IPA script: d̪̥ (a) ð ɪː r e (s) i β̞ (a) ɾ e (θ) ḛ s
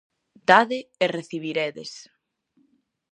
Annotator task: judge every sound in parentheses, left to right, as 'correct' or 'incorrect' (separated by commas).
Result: correct, incorrect, incorrect, incorrect